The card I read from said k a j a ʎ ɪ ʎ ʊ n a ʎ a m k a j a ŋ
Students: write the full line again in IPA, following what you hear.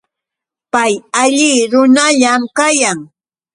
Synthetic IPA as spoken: p a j a ʎ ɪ ɾ ʊ n a ʎ a m k a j a ŋ